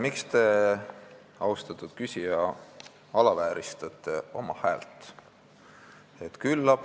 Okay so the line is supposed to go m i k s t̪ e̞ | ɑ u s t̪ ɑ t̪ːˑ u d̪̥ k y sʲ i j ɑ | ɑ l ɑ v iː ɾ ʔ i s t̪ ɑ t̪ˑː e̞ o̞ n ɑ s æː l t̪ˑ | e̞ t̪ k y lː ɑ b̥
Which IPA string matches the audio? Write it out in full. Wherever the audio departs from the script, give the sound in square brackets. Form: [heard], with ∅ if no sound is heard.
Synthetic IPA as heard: m i k s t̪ e̞ | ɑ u s t̪ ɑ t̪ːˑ u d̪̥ k y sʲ i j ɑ | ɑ l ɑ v [æː] ɾ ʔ i s t̪ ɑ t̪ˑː e̞ o̞ [m] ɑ [h] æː l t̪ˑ | e̞ t̪ k y lː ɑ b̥